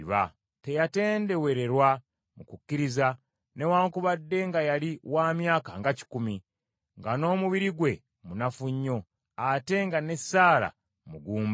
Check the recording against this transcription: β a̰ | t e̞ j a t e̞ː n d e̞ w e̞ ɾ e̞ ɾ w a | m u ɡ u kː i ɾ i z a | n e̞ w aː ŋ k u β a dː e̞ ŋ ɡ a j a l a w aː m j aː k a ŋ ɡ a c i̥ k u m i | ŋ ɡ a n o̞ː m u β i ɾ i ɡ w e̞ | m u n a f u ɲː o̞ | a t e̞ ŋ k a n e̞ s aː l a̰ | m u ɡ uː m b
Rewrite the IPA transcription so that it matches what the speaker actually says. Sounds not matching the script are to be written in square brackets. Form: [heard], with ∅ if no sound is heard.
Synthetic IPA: β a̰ | t e̞ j a t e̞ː n d e̞ w e̞ ɾ e̞ ɾ w a | m u [k] u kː i ɾ i z a | n e̞ w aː ŋ k u β a dː e̞ ŋ ɡ a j a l [i] w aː m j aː k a ŋ ɡ a c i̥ k u m i | ŋ ɡ a n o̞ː m u β i ɾ i ɡ w e̞ | m u n a f u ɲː o̞ | a t e̞ ŋ [ɡ] a n e̞ s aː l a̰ | m u ɡ uː m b